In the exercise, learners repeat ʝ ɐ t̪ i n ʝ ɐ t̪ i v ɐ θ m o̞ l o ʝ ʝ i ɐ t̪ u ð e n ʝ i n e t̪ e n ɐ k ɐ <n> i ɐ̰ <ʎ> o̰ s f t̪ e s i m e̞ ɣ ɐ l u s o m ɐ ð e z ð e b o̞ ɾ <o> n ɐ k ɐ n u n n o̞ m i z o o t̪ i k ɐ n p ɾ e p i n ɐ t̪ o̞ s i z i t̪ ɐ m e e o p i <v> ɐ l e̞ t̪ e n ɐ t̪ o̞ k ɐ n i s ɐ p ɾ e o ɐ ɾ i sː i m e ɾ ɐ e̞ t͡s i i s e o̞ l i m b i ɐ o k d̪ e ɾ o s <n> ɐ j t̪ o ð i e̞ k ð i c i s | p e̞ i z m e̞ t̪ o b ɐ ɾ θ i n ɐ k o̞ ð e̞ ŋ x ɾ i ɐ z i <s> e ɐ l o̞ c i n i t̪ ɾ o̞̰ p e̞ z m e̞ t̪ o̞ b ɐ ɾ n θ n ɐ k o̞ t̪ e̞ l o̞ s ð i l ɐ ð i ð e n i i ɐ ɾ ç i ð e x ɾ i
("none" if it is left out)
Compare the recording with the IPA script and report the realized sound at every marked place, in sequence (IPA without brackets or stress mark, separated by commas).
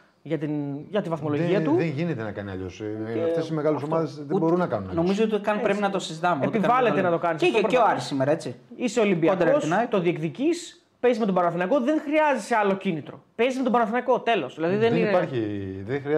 n, ʎ, u, v, n, s